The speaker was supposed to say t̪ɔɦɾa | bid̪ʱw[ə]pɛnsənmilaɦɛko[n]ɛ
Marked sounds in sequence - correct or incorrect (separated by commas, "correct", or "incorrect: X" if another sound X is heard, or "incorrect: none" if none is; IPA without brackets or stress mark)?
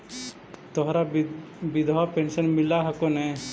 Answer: incorrect: a, correct